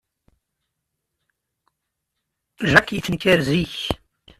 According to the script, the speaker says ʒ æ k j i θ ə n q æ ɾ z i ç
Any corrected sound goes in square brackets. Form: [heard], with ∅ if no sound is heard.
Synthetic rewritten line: ʒ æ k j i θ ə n [k] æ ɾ z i ç